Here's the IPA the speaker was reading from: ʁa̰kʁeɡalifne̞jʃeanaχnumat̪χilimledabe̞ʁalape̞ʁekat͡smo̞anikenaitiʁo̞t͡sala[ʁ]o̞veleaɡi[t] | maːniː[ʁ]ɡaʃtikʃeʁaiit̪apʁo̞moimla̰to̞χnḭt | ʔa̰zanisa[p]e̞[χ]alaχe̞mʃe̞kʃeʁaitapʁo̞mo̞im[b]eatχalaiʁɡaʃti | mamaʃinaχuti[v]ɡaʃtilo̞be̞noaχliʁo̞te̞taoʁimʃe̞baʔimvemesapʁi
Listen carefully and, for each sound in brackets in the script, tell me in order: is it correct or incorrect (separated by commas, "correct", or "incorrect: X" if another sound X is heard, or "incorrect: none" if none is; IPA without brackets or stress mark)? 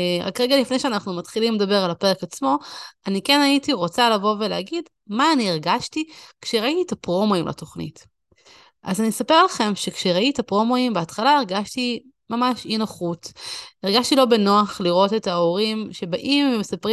incorrect: v, incorrect: d, correct, correct, incorrect: ʁ, correct, incorrect: ʁ